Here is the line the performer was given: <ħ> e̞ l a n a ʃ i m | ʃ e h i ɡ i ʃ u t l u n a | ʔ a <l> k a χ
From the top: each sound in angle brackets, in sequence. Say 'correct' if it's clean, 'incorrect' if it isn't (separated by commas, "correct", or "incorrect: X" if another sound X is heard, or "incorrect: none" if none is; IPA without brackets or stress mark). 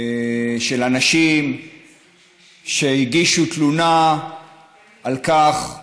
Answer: incorrect: ʃ, correct